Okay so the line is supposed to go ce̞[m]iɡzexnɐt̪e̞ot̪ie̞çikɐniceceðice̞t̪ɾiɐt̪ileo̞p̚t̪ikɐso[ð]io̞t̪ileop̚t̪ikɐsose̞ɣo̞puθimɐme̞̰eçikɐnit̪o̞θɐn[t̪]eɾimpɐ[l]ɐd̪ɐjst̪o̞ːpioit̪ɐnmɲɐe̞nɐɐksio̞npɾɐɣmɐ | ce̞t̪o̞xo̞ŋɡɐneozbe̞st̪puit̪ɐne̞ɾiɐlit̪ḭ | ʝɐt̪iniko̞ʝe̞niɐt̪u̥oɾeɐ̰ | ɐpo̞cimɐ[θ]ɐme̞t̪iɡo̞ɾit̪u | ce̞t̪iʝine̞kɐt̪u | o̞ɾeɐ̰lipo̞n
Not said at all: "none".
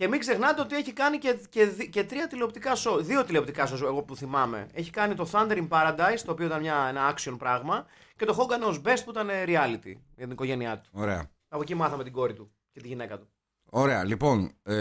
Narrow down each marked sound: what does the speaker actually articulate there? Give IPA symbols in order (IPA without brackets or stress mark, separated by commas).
m, ð, d̪, ɾ, θ